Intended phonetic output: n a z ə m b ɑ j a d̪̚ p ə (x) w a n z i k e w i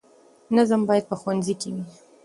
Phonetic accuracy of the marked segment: correct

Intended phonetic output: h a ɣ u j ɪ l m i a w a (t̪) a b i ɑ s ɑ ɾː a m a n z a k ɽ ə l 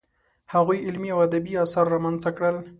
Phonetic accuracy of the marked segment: incorrect: d̪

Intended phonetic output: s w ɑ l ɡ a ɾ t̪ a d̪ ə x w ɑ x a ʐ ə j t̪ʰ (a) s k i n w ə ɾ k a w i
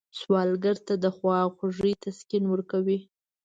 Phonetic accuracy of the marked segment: correct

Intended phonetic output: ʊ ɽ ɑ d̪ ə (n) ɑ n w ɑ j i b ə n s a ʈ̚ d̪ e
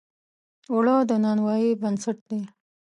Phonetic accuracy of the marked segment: correct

